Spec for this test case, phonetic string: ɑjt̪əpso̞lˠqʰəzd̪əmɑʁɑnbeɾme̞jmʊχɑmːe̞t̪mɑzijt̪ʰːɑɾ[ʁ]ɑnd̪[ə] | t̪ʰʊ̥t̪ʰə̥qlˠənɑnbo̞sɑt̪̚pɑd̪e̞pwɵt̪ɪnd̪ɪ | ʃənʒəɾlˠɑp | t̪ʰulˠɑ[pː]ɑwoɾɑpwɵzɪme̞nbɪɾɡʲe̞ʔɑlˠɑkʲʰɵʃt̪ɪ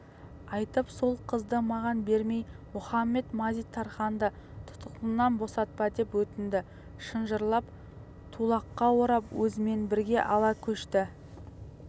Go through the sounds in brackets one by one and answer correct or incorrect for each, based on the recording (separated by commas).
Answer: incorrect, correct, incorrect